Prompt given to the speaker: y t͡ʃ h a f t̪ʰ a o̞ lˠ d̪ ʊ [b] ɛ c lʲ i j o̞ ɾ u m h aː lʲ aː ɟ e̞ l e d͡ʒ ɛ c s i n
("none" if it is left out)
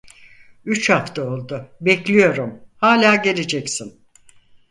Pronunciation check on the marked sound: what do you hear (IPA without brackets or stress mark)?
b